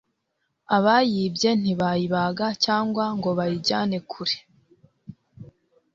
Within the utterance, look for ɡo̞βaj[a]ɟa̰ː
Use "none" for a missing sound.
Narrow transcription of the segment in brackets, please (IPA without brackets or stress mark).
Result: i